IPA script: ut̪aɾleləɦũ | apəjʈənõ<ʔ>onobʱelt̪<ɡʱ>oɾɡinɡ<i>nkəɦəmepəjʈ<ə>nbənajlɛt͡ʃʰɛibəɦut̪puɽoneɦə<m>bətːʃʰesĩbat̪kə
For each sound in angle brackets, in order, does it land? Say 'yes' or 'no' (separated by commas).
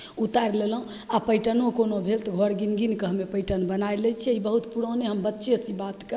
no, yes, yes, yes, yes